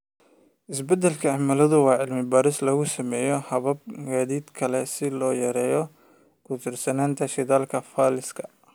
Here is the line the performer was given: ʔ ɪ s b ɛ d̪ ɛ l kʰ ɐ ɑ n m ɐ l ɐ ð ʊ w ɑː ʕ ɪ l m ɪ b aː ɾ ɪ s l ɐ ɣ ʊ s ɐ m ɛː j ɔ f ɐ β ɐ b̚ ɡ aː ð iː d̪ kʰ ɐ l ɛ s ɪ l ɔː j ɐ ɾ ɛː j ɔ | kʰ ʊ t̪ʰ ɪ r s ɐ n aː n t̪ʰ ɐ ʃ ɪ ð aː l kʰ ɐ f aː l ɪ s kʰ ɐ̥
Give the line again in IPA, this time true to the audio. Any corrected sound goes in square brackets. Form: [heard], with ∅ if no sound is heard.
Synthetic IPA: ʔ ɪ s b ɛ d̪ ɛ l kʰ ɐ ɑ [∅] m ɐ l ɐ ð ʊ w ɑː ʕ ɪ l m ɪ b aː ɾ ɪ s l ɐ ɣ ʊ s ɐ m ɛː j ɔ [h] ɐ β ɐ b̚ ɡ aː ð iː d̪ kʰ ɐ l ɛ s ɪ l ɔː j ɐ ɾ ɛː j ɔ | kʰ ʊ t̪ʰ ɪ r s ɐ n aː n t̪ʰ ɐ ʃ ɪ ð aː l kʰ ɐ f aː l ɪ s kʰ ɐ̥